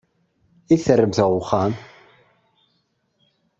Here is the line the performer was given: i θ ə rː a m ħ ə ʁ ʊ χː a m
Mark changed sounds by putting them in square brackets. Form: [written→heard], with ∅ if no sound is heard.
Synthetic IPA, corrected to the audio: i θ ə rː [a→ə] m [ħ→θ] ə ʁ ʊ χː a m